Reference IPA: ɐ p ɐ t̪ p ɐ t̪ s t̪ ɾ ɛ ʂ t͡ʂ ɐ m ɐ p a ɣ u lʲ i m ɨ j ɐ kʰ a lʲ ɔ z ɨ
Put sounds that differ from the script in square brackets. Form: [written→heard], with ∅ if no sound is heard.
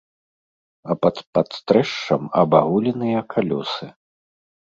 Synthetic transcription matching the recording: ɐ p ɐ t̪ p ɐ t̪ s t̪ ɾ ɛ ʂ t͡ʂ ɐ m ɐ [p→b] a ɣ u lʲ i [m→n] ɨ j ɐ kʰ a lʲ ɔ [z→s] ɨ

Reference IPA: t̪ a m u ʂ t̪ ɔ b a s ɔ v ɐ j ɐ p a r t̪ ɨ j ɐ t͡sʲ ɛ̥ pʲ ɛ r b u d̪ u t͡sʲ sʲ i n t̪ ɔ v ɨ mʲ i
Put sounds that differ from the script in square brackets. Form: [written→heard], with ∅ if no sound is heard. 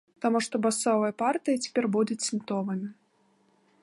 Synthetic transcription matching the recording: t̪ a m u ʂ t̪ ɔ b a s ɔ v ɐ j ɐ p a r t̪ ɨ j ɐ t͡sʲ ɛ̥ pʲ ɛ r b u d̪ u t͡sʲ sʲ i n t̪ ɔ v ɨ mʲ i

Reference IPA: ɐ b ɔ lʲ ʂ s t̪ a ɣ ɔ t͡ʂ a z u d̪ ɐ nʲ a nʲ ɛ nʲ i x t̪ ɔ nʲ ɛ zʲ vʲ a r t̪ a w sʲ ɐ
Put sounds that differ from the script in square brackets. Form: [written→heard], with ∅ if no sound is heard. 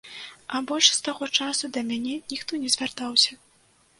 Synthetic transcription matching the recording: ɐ b ɔ lʲ ʂ s t̪ a ɣ ɔ t͡ʂ a [z→s] u d̪ ɐ [nʲ→mʲ] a nʲ ɛ nʲ i x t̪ ɔ nʲ ɛ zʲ vʲ a r t̪ a w sʲ ɐ

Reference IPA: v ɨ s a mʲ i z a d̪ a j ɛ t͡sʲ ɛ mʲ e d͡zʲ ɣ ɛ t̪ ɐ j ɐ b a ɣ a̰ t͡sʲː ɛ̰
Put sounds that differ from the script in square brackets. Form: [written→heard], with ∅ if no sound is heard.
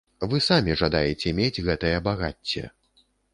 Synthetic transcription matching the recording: v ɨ s a mʲ i [z→ʐ] a d̪ a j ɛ t͡sʲ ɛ mʲ e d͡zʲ ɣ ɛ t̪ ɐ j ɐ b a ɣ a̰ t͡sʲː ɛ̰

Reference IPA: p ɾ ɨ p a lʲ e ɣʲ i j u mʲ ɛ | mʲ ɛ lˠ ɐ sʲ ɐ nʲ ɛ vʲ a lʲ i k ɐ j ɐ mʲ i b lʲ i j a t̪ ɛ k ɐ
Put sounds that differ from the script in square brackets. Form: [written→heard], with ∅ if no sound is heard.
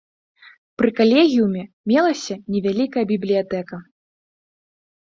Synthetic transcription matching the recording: p ɾ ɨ [p→k] a lʲ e ɣʲ i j u mʲ ɛ | mʲ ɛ lˠ ɐ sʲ ɐ nʲ ɛ vʲ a lʲ i k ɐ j ɐ [mʲ→bʲ] i b lʲ i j a t̪ ɛ k ɐ

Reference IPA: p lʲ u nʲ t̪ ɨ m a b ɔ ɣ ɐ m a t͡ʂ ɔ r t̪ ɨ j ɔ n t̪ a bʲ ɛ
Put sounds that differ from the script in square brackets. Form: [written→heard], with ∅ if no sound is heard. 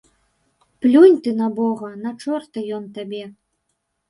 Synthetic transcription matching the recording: p lʲ u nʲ t̪ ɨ [m→n] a b ɔ ɣ ɐ [m→n] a t͡ʂ ɔ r t̪ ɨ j ɔ n t̪ a bʲ ɛ

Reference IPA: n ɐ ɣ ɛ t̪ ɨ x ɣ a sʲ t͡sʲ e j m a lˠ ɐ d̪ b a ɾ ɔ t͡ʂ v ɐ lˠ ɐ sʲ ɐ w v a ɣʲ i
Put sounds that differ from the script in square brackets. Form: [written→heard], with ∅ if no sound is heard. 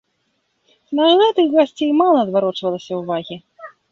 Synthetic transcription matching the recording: n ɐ ɣ ɛ t̪ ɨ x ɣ a sʲ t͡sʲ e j m a lˠ ɐ d̪ [b→v] a ɾ ɔ t͡ʂ v ɐ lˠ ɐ sʲ ɐ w v a ɣʲ i

